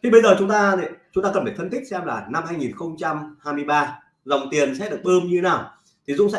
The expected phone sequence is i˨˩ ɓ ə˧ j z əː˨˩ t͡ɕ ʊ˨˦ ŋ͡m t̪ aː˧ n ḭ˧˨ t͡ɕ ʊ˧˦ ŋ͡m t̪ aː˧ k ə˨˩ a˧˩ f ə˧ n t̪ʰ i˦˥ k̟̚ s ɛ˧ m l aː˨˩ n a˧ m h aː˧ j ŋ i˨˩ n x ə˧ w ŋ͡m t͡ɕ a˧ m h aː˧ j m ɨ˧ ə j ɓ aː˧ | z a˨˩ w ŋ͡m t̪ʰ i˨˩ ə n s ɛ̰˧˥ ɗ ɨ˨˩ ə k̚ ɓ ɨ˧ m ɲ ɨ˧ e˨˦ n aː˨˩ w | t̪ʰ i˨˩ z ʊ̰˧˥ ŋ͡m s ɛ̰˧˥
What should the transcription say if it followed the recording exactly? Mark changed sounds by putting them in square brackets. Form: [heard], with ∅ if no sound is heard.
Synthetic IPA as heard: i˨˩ ɓ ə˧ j z əː˨˩ t͡ɕ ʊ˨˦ ŋ͡m t̪ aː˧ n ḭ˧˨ t͡ɕ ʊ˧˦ ŋ͡m t̪ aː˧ k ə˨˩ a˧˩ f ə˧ n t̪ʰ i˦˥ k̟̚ s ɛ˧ m l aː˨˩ n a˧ m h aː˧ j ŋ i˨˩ n x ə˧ w ŋ͡m t͡ɕ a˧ m h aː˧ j m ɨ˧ ə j ɓ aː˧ | z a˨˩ w ŋ͡m [t̪] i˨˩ ə n s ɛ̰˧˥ ɗ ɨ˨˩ ə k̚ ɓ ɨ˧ m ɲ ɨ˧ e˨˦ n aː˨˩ w | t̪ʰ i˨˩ z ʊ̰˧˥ ŋ͡m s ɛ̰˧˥